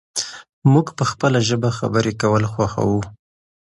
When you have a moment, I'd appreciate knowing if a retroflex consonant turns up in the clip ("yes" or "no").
no